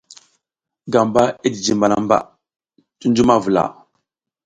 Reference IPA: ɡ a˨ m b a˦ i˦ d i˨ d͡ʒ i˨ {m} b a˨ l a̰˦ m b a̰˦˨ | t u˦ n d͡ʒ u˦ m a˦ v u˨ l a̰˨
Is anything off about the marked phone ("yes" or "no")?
no